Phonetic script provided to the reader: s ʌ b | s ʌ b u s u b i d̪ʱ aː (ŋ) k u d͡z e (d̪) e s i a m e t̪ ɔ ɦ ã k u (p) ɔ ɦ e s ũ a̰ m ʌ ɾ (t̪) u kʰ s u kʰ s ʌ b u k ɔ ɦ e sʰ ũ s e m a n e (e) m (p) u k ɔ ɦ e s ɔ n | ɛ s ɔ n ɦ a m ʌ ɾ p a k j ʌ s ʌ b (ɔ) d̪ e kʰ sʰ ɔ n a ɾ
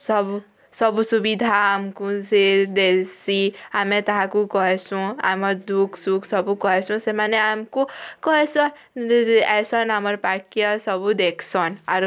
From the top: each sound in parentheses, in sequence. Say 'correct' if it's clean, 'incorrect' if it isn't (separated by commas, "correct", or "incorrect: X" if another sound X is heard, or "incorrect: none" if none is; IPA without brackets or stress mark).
incorrect: m, correct, incorrect: k, incorrect: d̪, incorrect: a, incorrect: k, incorrect: u